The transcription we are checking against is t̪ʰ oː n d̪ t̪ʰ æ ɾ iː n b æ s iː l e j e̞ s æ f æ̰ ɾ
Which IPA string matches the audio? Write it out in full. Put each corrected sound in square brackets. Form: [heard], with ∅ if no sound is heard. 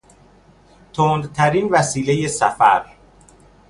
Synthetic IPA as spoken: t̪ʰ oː n d̪ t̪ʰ æ ɾ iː n [v] æ s iː l e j e̞ s æ f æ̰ ɾ